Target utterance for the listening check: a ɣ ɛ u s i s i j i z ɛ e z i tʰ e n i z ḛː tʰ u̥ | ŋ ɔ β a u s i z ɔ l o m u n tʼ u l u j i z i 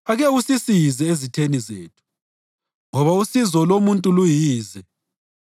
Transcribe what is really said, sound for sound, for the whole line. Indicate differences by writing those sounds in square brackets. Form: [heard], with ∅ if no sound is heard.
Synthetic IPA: a ɣ ɛ u s i s i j i z ɛ e z i tʰ e n i z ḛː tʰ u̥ | ŋ ɔ β a u s i z ɔ l o m u n tʼ u l u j [iː] z [ɛ]